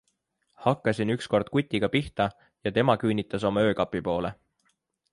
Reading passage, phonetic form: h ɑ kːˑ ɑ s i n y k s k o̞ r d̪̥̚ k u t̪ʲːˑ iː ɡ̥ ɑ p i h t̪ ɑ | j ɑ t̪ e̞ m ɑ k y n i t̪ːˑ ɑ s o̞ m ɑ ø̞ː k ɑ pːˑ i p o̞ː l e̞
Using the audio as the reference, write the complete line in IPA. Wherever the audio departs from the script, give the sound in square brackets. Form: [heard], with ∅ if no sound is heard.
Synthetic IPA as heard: h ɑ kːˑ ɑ s i n y k s k o̞ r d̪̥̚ k u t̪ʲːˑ [i] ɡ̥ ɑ p i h t̪ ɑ | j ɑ t̪ e̞ m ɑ k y n i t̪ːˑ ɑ s o̞ m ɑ ø̞ː k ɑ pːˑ i p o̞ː l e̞